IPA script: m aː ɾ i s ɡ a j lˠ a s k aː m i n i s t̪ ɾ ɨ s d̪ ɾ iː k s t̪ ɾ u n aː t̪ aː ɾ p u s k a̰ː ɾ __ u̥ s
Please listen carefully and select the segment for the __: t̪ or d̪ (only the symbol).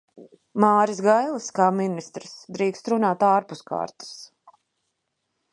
t̪